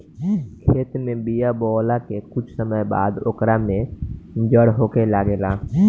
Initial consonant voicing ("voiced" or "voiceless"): voiceless